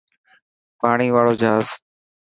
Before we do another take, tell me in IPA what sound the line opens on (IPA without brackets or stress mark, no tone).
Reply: p